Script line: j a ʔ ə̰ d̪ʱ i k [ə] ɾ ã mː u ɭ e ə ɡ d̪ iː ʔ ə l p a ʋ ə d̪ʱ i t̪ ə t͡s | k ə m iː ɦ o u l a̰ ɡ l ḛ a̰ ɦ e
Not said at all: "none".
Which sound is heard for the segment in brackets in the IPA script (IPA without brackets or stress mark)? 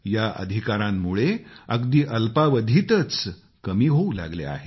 a